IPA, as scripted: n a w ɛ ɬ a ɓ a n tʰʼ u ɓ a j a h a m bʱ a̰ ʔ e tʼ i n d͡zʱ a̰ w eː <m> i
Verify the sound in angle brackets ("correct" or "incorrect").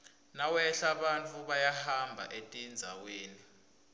incorrect